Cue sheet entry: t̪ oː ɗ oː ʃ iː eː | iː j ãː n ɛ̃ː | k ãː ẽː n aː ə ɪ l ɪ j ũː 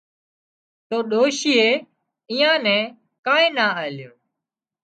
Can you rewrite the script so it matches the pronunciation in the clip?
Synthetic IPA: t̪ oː ɗ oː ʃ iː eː | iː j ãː n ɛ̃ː | k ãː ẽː n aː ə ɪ l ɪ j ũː